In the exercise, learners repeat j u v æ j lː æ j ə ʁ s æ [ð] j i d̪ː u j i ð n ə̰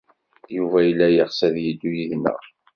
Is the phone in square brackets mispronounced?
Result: no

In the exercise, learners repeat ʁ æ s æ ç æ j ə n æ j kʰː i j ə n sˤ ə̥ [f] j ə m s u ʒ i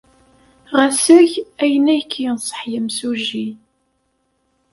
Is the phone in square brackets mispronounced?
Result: yes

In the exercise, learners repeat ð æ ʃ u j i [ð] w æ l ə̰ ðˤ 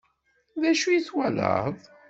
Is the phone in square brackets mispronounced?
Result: yes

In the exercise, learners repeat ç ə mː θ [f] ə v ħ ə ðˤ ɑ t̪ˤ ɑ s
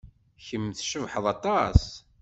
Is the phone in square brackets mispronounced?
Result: yes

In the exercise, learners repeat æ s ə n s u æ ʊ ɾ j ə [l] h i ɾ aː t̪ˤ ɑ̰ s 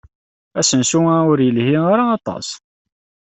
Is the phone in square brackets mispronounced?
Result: no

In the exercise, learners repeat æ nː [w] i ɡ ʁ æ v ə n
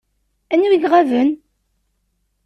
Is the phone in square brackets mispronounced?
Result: no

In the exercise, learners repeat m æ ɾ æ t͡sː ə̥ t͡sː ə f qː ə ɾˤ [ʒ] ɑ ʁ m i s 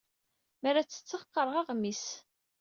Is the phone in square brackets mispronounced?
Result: yes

